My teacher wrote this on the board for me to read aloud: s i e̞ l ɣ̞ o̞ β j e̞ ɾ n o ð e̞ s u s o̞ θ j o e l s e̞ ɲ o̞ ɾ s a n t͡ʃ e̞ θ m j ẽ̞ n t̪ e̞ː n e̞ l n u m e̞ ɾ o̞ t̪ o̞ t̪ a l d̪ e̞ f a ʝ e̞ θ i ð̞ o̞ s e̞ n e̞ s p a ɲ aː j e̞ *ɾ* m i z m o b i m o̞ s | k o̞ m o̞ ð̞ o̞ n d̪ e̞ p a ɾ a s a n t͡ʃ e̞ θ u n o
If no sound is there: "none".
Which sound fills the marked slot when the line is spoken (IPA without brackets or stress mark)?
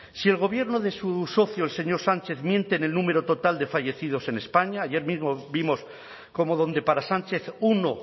ɾ